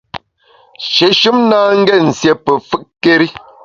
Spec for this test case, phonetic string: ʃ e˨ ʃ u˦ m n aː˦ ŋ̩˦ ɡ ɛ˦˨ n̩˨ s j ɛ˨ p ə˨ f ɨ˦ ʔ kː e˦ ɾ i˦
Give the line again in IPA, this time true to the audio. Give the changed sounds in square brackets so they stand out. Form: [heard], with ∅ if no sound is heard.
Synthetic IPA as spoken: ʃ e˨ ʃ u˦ m n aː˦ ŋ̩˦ ɡ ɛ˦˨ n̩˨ s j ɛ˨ p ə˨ f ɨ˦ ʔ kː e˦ ɾ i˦

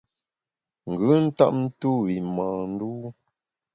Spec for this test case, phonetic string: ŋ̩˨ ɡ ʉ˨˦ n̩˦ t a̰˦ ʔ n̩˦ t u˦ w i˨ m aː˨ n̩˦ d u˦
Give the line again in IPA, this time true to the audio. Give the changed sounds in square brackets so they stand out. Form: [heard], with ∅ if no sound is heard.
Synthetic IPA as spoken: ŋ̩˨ ɡ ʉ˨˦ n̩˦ t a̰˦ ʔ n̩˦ t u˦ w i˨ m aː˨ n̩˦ d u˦

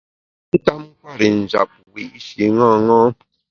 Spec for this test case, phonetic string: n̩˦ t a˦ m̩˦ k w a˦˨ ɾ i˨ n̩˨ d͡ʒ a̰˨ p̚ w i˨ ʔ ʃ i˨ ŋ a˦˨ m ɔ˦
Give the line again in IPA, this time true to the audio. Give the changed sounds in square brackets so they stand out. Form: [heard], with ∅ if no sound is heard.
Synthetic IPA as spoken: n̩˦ t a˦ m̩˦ k w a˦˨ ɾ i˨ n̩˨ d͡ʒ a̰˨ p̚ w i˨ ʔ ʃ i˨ ŋ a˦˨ [ŋ] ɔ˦

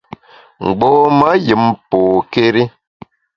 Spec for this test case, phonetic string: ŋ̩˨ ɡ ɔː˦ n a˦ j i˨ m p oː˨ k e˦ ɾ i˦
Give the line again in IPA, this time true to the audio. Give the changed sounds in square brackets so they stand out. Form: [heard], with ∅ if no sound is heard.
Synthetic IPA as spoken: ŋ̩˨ [ɡ͡b] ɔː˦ [m] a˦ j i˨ m p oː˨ k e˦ ɾ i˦

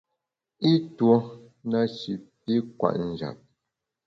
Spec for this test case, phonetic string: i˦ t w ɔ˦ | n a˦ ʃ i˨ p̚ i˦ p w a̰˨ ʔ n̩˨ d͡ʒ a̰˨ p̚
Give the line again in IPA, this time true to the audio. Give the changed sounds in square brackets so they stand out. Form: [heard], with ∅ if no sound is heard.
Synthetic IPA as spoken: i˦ t w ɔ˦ | n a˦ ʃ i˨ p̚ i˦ [k] w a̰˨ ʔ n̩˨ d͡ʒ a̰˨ p̚

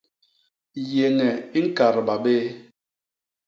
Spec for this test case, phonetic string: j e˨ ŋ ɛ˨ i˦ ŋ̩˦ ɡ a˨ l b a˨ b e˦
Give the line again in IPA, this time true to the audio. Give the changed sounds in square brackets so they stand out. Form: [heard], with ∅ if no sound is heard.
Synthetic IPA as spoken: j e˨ ŋ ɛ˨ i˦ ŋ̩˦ [k] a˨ [ɾ] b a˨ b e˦

